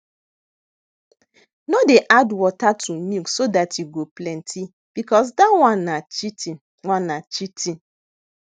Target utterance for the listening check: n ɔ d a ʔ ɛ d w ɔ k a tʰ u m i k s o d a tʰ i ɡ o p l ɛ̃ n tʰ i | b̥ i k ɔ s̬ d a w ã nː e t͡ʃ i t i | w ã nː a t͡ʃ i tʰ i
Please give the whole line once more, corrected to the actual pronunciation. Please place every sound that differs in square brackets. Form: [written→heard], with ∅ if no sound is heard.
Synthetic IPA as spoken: n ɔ d [a→e] ʔ [ɛ→a] d w ɔ [k→t] a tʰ u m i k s o d a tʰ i ɡ o p l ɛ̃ n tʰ i | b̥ i k ɔ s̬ d a w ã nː [e→a] t͡ʃ i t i | w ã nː a t͡ʃ i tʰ i